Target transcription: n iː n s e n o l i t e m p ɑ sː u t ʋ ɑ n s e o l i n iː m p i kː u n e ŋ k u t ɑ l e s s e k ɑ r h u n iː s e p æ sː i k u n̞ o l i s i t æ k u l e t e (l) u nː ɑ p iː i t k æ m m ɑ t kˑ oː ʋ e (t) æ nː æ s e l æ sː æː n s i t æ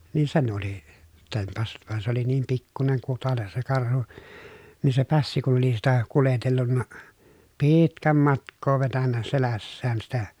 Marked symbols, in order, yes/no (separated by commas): no, yes